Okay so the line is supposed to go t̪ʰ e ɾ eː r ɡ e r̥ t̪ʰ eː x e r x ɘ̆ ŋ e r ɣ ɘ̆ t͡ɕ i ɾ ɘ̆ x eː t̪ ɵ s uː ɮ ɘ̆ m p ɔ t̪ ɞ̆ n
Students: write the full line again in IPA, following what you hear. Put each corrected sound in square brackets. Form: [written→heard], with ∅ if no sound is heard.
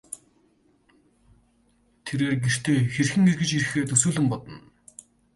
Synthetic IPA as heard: t̪ʰ e ɾ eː r ɡ e r̥ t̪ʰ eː x e r x ɘ̆ ŋ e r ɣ ɘ̆ t͡ɕ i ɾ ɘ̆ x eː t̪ ɵ s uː ɮ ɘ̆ m p ɔ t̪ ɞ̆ n